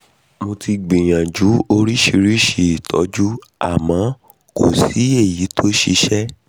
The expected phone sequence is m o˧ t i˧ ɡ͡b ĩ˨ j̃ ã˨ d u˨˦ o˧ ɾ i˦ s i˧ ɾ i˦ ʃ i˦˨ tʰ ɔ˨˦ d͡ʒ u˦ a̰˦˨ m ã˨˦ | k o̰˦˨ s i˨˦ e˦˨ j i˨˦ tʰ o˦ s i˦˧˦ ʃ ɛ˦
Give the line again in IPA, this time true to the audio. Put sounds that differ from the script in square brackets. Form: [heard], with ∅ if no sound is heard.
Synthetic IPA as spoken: m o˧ t i˧ ɡ͡b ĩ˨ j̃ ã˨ [d͡ʒ] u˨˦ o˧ ɾ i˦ [ʃ] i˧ ɾ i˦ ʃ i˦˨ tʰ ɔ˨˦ d͡ʒ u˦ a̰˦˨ m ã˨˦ | k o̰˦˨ s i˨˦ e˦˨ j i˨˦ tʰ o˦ [ʃ] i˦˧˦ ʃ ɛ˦